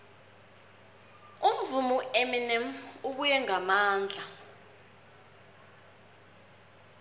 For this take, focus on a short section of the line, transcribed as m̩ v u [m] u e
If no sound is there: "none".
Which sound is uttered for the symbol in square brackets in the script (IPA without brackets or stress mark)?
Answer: m